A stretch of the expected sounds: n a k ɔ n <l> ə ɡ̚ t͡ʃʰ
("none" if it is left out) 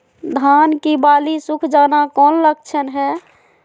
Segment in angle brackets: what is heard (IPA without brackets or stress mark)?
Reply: l